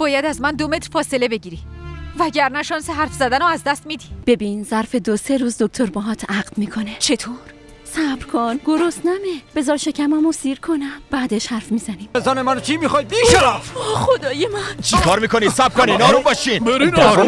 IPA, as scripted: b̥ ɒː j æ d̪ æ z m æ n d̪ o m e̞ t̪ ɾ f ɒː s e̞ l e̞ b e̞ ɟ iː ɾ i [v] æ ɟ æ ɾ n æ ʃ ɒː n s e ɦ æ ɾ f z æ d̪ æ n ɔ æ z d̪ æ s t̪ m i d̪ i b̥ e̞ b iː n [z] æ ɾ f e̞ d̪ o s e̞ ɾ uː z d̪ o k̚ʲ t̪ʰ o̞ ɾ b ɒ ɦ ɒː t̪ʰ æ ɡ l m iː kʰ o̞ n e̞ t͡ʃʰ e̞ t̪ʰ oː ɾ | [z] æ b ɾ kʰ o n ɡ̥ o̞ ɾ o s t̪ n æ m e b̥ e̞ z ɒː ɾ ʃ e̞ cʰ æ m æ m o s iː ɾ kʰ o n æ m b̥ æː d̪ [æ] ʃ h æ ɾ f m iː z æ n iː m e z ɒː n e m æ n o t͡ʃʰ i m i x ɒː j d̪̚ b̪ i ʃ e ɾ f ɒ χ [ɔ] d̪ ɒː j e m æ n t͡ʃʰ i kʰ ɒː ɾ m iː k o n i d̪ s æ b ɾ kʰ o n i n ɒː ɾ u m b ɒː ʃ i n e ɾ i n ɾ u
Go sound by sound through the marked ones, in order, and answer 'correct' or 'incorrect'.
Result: correct, correct, incorrect, incorrect, incorrect

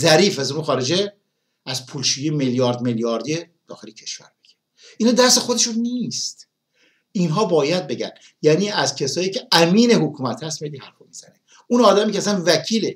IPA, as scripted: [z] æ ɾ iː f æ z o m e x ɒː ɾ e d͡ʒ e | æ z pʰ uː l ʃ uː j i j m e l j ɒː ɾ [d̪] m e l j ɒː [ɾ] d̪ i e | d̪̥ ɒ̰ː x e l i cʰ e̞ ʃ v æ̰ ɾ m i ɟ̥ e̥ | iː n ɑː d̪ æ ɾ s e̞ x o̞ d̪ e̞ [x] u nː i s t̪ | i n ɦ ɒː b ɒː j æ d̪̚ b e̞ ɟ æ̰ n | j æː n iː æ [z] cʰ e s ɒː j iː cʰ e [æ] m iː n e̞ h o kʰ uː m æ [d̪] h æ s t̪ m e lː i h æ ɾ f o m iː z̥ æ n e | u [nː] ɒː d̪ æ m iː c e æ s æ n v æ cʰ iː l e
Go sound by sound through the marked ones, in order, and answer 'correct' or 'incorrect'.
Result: correct, correct, correct, incorrect, correct, correct, incorrect, incorrect

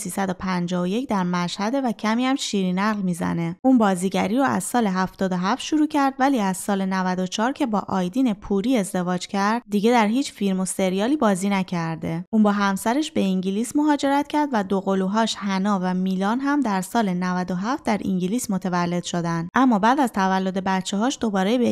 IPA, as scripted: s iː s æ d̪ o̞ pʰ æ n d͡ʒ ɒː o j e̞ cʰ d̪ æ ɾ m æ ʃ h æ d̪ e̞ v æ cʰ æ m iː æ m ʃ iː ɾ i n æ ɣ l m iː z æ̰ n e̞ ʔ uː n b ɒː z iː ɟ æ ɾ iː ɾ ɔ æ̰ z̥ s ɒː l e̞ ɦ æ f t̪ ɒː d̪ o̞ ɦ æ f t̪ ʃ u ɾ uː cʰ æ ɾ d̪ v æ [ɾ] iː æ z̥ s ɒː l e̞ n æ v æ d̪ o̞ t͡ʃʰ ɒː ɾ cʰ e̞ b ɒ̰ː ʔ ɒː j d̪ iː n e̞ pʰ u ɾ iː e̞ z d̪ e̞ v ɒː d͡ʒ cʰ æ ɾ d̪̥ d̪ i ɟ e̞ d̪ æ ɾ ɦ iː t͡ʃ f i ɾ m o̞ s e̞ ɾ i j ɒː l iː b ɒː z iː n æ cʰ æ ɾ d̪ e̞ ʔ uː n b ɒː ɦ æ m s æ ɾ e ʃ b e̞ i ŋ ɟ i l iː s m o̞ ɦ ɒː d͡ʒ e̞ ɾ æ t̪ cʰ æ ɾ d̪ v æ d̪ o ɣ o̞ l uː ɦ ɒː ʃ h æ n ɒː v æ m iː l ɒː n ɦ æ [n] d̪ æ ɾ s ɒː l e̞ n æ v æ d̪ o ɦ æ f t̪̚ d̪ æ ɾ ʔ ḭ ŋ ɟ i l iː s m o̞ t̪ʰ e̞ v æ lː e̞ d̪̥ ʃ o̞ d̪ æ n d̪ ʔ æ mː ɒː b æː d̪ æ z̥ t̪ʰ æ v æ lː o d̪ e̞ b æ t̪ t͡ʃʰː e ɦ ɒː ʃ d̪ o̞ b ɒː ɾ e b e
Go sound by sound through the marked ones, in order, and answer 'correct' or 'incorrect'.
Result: incorrect, incorrect

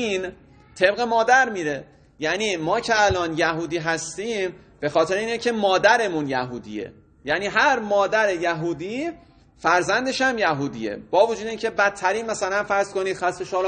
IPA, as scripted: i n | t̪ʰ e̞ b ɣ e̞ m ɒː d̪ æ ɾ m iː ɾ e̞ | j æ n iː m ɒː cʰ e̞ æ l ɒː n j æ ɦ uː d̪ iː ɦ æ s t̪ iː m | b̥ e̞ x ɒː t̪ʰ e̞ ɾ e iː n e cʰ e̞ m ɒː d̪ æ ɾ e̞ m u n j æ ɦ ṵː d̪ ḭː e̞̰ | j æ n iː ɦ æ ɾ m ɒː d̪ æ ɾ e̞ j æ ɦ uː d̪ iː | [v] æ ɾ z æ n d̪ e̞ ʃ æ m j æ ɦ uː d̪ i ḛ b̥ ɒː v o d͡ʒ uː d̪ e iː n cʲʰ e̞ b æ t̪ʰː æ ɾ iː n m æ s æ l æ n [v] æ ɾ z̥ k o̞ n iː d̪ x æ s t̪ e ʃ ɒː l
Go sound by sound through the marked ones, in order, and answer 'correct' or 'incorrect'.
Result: incorrect, incorrect

